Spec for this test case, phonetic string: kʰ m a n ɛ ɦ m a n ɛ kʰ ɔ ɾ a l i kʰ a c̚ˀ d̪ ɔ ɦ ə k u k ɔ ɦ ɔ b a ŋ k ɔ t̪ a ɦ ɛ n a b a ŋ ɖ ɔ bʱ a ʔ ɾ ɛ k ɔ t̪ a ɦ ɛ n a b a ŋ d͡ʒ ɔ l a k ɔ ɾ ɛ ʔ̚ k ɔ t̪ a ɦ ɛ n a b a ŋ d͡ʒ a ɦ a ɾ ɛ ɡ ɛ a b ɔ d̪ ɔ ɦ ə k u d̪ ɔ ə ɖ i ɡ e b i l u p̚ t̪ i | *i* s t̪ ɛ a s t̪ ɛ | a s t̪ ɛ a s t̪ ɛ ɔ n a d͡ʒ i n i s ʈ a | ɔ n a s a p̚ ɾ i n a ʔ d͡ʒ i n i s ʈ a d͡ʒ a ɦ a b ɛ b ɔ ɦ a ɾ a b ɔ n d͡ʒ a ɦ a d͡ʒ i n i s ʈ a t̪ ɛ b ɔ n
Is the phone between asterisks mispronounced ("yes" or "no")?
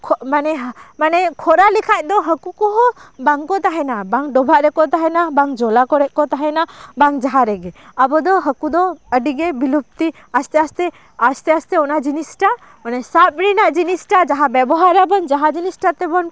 yes